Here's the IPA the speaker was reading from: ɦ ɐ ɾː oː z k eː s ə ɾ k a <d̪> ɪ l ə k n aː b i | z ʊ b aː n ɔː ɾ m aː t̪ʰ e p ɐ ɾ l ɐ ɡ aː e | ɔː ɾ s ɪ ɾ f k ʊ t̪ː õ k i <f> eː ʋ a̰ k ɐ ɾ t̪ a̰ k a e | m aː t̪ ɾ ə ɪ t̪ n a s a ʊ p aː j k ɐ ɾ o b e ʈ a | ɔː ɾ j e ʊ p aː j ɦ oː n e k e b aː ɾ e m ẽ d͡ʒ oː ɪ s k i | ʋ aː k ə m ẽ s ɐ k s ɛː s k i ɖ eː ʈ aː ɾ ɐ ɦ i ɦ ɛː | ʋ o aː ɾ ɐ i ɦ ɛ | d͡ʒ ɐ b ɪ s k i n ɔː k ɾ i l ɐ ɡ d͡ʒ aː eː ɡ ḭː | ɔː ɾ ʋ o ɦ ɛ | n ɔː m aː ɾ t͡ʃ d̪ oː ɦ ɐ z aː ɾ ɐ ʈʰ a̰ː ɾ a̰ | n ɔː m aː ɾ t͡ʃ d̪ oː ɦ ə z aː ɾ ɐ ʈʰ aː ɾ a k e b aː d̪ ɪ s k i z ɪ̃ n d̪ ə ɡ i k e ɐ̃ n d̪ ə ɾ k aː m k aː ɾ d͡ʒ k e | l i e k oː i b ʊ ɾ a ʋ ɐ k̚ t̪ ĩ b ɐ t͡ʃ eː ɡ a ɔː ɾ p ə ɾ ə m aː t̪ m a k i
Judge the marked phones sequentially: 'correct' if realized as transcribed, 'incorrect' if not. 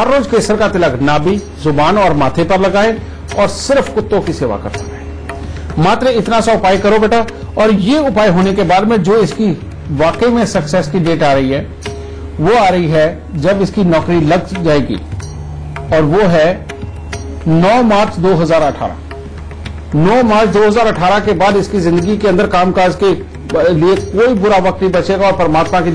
incorrect, incorrect

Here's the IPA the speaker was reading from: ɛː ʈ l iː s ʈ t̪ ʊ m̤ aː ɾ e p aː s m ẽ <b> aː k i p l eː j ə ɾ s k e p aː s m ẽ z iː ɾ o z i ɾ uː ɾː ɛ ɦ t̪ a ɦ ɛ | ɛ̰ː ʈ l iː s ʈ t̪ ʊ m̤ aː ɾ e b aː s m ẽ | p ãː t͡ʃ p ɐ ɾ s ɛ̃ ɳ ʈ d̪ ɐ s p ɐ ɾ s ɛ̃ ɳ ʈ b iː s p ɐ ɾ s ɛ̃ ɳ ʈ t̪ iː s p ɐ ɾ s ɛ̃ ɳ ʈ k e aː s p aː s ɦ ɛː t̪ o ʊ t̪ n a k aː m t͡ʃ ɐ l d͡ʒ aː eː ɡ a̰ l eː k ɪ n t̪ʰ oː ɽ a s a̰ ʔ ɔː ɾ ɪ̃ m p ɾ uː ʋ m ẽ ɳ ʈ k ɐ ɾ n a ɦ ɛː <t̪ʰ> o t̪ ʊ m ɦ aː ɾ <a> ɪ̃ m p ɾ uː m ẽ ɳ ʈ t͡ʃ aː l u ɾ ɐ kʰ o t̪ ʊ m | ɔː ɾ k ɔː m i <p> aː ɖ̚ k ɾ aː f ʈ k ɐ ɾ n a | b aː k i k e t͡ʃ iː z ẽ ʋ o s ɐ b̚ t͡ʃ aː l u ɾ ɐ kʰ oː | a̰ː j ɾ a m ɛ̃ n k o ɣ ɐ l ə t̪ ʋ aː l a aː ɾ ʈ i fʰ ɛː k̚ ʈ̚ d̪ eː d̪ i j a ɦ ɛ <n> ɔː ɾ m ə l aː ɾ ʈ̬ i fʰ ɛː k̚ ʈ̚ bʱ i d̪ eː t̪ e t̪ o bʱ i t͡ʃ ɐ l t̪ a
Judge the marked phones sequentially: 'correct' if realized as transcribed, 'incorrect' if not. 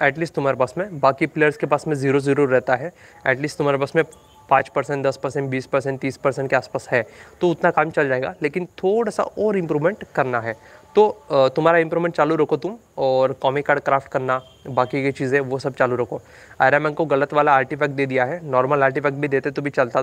correct, incorrect, correct, incorrect, correct

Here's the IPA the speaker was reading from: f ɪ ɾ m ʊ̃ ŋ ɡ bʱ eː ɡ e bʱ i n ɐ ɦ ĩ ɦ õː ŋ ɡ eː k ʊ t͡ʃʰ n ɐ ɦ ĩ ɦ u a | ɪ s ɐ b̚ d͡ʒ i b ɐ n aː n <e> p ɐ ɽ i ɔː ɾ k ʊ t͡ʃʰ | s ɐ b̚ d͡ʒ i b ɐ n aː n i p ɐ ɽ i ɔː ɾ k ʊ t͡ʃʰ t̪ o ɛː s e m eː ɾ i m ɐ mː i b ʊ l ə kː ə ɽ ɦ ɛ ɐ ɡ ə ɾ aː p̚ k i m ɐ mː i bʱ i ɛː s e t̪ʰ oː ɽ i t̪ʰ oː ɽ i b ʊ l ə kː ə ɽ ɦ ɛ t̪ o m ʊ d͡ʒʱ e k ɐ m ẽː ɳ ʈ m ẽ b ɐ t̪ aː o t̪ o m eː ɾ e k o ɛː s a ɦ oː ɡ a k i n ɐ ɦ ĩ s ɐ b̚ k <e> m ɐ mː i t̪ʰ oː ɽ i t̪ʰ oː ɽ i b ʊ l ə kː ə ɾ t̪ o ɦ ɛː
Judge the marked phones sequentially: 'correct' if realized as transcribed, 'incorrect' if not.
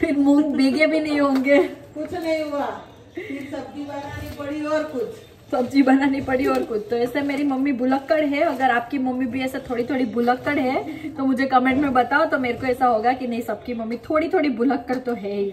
incorrect, incorrect

